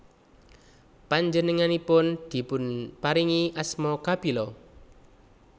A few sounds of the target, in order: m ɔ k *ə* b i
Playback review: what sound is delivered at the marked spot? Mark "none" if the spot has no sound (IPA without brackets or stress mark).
a